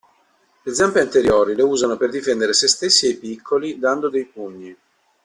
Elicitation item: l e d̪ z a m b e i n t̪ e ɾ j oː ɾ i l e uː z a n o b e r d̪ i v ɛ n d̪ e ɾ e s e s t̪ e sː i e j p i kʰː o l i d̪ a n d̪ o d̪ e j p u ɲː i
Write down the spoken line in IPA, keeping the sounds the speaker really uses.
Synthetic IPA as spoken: l e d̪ z a m p e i n t̪ e ɾ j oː ɾ i l e uː z a n o p e r d̪ i f ɛ n d̪ e ɾ e s e s t̪ e sː i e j p i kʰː o l i d̪ a n d̪ o d̪ e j p u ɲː i